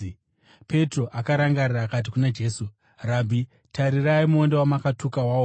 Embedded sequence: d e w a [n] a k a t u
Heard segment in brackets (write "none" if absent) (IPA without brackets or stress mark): m